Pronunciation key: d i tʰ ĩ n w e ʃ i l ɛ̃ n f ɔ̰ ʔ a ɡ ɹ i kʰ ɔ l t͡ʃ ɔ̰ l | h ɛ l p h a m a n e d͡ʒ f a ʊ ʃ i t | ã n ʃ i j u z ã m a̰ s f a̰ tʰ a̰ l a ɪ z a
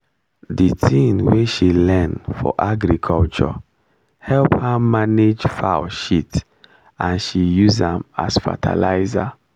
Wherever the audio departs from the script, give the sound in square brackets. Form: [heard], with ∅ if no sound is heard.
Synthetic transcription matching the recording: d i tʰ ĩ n w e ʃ i l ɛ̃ n f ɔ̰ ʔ a ɡ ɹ i kʰ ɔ l t͡ʃ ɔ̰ [∅] | h ɛ l p h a m a n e d͡ʒ f a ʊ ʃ i t | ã n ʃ i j u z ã m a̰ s f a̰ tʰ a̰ l a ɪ z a